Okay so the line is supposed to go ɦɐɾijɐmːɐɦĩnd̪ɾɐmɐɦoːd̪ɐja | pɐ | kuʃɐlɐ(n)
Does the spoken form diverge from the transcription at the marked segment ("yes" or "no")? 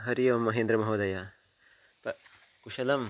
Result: yes